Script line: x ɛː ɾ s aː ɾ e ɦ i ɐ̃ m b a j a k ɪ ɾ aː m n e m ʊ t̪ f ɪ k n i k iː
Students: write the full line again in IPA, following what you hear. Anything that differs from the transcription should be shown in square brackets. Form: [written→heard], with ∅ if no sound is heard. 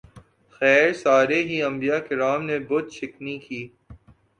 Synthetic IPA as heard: x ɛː ɾ s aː ɾ e ɦ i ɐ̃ m b [a→i] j a k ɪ ɾ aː m n e [m→b] ʊ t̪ [f→ʃ] ɪ k n i k iː